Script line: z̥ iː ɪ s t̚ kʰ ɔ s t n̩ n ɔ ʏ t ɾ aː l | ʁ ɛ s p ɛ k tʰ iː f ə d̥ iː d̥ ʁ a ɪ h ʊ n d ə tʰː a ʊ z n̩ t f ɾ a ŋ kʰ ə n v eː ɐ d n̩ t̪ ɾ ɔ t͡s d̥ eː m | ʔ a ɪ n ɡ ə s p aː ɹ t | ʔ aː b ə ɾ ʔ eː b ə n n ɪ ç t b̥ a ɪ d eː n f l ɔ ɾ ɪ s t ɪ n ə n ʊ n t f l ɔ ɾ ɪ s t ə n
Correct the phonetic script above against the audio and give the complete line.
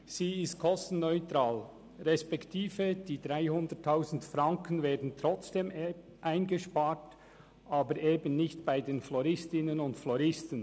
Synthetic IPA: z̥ iː ɪ s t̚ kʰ ɔ s t n̩ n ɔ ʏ t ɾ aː l | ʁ ɛ s p ɛ k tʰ iː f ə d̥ iː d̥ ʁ a ɪ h ʊ n d ə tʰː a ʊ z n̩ t f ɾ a ŋ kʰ ə n v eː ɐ d n̩ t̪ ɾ ɔ t͡s d̥ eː m | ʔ a ɪ n ɡ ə ʃ p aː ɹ t | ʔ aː b ə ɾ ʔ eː b ə n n ɪ ç t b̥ a ɪ d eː n f l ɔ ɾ ɪ s t ɪ n ə n ʊ n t f l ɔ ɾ ɪ s t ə n